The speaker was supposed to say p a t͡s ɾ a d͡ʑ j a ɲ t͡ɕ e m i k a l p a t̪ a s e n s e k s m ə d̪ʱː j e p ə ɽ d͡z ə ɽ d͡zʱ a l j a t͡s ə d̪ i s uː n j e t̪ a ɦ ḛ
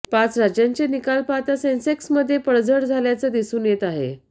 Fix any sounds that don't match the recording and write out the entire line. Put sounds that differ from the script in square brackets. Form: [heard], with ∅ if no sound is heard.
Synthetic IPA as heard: p a t͡s ɾ a d͡ʑ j a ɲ t͡ɕ e [n] i k a l p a t̪ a s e n s e k s m ə d̪ʱː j e p ə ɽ d͡z ə ɽ d͡zʱ a l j a t͡s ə d̪ i s uː n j e t̪ a ɦ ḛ